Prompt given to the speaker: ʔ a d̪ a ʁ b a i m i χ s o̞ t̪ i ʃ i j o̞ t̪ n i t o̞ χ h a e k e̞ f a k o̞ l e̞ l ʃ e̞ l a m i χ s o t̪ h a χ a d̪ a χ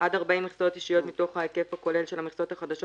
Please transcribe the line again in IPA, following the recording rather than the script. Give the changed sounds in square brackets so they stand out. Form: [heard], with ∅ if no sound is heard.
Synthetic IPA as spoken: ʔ a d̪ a ʁ b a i m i χ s o̞ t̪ i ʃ i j o̞ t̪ [m] i t o̞ χ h a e k e̞ f a k o̞ l e̞ l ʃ e̞ l a m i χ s o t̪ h a χ a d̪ a [ʃ]

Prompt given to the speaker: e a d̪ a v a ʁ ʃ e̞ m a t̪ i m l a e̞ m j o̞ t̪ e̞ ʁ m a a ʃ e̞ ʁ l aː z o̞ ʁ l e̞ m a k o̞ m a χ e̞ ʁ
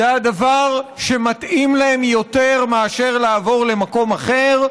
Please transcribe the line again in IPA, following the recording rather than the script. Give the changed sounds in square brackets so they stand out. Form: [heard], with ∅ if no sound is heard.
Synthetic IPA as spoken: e a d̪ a v a ʁ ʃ e̞ m a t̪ i m l a e̞ m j o̞ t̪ e̞ ʁ m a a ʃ e̞ ʁ l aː [v] o̞ ʁ l e̞ m a k o̞ m a χ e̞ ʁ

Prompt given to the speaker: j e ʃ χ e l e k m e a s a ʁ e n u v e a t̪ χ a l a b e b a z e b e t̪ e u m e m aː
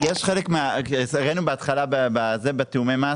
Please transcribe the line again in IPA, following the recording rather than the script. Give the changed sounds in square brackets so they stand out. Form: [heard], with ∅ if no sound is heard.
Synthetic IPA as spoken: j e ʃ χ e l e k m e a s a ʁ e n u [b] e a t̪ χ a l a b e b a z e b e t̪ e u m e m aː

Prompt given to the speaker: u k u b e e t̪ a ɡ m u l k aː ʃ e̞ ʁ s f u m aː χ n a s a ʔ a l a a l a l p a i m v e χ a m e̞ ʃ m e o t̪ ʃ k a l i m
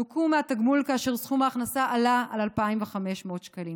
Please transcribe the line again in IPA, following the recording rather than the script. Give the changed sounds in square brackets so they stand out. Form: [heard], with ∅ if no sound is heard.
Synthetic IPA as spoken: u k u [m] e [a] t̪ a ɡ m u l k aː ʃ e̞ ʁ s [χ] u m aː χ n a s a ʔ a l a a l a l p a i m v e χ a m e̞ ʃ m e o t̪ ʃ k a l i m

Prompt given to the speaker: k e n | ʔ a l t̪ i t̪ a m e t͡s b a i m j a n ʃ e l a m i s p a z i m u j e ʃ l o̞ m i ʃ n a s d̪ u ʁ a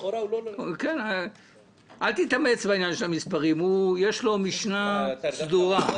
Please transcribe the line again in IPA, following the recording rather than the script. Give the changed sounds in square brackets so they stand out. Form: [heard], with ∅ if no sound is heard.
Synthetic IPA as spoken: k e n | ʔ a l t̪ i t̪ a m e t͡s b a i [n] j a n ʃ e l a m i s p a [ʁ] i m u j e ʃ l o̞ m i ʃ n a s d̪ u ʁ a

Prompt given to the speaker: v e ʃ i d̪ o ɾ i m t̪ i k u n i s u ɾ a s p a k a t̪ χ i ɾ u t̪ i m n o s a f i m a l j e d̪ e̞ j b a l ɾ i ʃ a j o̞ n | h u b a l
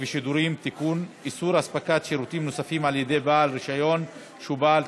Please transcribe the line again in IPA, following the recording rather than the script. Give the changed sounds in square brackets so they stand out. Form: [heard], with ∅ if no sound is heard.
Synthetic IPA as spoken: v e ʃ i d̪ [u] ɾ i m t̪ i k u n i s u ɾ a s p a k a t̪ [ʃ] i ɾ u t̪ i m n o s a f i m a l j e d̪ e̞ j b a l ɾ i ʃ a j o̞ n | [ʃ] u b a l

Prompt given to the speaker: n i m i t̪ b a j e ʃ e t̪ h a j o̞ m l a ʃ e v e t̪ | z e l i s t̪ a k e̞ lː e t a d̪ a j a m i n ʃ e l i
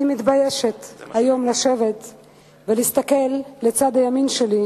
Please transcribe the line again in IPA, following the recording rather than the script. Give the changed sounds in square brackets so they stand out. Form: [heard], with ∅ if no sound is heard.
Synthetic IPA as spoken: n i m i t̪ b a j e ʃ e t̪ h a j o̞ m l a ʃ e v e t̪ | [v] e l i s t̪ a k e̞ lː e [t͡s] a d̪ a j a m i n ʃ e l i

